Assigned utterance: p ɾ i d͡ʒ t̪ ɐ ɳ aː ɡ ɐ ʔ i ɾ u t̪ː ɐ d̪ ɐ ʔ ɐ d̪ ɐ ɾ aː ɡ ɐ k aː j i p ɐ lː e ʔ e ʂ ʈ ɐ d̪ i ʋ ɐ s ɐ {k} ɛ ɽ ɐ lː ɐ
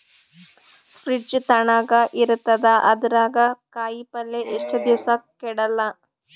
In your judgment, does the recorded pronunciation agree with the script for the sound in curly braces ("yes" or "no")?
yes